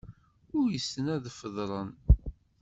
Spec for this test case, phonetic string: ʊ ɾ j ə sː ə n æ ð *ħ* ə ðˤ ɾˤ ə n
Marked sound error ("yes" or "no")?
yes